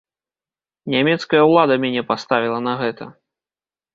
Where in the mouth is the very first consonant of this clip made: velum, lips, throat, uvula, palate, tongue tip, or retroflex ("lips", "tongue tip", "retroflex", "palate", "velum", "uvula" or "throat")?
tongue tip